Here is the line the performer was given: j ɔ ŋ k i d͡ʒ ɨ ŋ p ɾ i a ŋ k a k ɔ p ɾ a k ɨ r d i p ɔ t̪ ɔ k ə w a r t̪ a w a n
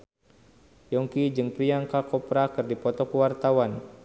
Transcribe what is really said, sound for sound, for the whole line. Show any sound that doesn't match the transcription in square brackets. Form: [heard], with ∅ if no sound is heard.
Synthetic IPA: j ɔ ŋ k i d͡ʒ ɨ ŋ p ɾ i a ŋ k a k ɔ p ɾ a k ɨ r d i p ɔ t̪ ɔ k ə w a r t̪ a w a n

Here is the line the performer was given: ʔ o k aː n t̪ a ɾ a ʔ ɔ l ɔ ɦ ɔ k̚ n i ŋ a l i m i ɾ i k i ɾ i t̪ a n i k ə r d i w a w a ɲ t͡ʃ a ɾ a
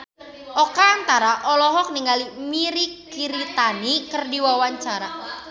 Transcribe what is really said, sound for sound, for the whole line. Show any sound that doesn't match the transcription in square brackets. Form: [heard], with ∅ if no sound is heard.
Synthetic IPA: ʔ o k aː n t̪ a ɾ a ʔ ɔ l ɔ ɦ ɔ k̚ n i ŋ a l i m i ɾ i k i ɾ i t̪ a n i k ə r d i w a w a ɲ t͡ʃ a ɾ a

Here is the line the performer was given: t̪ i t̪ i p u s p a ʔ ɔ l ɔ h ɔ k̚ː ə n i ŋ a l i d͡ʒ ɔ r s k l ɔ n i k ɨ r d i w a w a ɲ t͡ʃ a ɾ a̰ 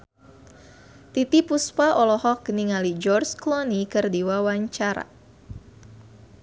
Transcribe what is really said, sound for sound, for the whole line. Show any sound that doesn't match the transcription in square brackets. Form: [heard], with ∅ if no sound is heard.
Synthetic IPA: t̪ i t̪ i p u s p a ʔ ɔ l ɔ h ɔ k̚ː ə n i ŋ a l i d͡ʒ ɔ r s k l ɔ n i k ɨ r d i w a w a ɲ t͡ʃ a ɾ a̰

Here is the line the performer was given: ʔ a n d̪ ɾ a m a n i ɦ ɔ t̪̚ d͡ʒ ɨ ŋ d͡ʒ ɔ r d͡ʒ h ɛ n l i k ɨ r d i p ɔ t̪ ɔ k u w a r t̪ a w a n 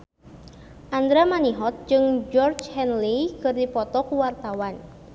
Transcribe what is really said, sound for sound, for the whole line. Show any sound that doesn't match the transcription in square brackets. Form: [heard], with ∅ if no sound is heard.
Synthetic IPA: ʔ a n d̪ ɾ a m a n i ɦ ɔ t̪̚ d͡ʒ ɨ ŋ d͡ʒ ɔ r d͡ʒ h ɛ n l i k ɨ r d i p ɔ t̪ ɔ k u w a r t̪ a w a n

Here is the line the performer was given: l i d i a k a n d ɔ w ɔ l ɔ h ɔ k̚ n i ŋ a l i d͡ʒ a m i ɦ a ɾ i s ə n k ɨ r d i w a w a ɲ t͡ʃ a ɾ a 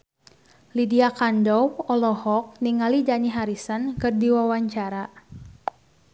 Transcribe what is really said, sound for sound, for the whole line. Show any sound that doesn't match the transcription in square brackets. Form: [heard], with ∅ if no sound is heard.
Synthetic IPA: l i d i a k a n d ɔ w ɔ l ɔ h ɔ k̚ n i ŋ a l i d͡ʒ a [n] i ɦ a ɾ i s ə n k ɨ r d i w a w a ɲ t͡ʃ a ɾ a

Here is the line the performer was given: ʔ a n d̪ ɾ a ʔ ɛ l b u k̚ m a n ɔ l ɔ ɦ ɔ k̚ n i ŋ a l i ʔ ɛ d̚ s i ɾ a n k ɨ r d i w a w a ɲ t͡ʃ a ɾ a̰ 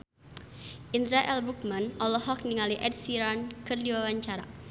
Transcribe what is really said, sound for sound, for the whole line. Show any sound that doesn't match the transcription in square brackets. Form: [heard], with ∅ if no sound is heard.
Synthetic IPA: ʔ [i] n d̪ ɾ a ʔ ɛ l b u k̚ m a n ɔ l ɔ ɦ ɔ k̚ n i ŋ a l i ʔ ɛ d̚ s i ɾ a n k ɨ r d i w a w a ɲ t͡ʃ a ɾ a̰

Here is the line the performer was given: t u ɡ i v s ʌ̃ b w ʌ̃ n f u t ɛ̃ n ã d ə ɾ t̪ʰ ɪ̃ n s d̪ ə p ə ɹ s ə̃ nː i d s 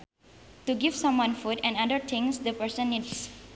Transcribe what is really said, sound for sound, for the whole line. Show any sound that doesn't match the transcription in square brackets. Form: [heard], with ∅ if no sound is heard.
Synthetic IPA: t u ɡ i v s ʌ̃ [m] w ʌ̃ n f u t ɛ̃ n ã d ə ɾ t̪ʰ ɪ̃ [ŋ] s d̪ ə p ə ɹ s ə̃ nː i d s

